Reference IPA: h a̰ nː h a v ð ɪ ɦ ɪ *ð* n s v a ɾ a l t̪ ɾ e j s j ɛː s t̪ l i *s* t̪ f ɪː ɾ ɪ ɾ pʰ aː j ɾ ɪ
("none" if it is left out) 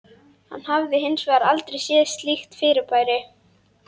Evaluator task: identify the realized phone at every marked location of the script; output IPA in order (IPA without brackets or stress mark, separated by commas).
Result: none, x